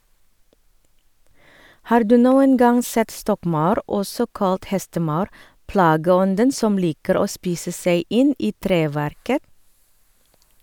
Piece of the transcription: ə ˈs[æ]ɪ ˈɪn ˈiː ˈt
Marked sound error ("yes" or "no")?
yes